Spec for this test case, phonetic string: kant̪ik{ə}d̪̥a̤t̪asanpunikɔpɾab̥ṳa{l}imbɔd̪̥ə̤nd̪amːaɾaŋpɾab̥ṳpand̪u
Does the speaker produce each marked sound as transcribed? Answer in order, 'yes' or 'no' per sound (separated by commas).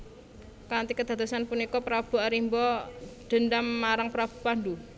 yes, no